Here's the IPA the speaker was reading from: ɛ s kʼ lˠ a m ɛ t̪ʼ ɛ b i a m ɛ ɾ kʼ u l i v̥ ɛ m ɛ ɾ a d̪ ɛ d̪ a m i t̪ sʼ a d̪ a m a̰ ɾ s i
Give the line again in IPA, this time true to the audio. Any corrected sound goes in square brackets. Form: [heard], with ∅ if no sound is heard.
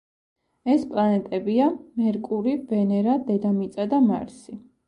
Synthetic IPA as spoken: ɛ s [pʼ] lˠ a [n] ɛ t̪ʼ ɛ b i a m ɛ ɾ kʼ u [ɾ] i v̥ ɛ [n] ɛ ɾ a d̪ ɛ d̪ a m i t̪ sʼ a d̪ a m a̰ ɾ s i